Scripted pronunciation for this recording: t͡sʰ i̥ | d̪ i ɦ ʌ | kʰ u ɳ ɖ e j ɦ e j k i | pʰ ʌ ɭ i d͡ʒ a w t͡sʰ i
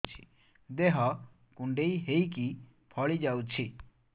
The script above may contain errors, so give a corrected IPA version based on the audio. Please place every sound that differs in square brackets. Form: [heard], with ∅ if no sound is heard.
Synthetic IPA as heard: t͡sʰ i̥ | d̪ [e] ɦ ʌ | [k] u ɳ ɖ e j ɦ e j k i | pʰ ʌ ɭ i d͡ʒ a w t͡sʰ i

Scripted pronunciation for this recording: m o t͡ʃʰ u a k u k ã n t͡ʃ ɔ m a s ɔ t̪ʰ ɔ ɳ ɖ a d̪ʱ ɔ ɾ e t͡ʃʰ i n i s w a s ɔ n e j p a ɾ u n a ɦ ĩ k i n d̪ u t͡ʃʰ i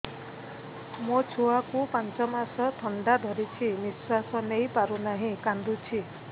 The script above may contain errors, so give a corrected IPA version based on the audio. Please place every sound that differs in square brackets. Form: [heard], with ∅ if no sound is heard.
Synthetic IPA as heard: m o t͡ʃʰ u a k u [p] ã n t͡ʃ ɔ m a s ɔ t̪ʰ ɔ ɳ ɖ a d̪ʱ ɔ ɾ [i] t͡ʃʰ i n i s w a s ɔ n e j p a ɾ u n a ɦ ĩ k [a] n d̪ u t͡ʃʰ i

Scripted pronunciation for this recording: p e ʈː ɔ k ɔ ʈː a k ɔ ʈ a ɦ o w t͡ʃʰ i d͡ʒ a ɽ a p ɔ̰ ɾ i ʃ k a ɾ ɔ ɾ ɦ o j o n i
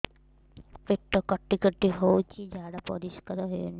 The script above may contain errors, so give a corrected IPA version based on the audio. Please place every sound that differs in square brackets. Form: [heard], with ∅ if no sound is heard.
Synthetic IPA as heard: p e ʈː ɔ k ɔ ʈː [i] k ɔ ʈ [i] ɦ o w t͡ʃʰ i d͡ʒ a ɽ a p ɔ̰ ɾ i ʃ k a ɾ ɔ [∅] ɦ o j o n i

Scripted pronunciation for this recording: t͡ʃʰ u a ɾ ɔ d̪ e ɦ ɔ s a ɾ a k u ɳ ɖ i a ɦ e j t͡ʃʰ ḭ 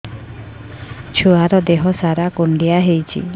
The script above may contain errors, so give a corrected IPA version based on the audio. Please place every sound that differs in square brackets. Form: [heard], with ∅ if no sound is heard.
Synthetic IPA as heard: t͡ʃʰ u a ɾ ɔ d̪ e ɦ ɔ s a ɾ a k u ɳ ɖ i a ɦ e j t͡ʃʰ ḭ

